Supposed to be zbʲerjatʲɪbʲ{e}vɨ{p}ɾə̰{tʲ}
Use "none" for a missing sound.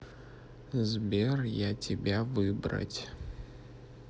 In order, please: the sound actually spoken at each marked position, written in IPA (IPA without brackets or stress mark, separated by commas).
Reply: a, b, tʲ